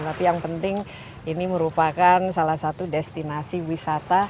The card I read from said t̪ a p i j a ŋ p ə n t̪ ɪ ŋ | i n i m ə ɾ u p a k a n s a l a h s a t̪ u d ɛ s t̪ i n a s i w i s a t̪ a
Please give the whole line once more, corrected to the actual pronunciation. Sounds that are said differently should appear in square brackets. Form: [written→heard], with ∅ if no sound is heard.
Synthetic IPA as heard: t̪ a p i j a ŋ p ə n t̪ ɪ ŋ | i n i m ə ɾ u p a k a n s a l a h s a t̪ u d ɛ s t̪ i n a s i w i s a t̪ a